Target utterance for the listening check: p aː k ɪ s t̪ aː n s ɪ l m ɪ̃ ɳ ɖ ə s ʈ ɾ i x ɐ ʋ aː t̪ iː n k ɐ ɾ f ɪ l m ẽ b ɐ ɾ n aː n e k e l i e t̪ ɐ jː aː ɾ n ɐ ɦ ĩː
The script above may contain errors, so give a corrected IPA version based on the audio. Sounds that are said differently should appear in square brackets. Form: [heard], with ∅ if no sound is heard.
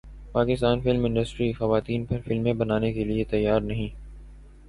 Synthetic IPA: p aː k ɪ s t̪ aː n [f] ɪ l m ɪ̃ ɳ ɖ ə s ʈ ɾ i x ɐ ʋ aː t̪ iː n [p] ɐ ɾ f ɪ l m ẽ b ɐ [∅] n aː n e k e l i e t̪ ɐ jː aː ɾ n ɐ ɦ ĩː